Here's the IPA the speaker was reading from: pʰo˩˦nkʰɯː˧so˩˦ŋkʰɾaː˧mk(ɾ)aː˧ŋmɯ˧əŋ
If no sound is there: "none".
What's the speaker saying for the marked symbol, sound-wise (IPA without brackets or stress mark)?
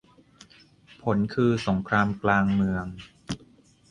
l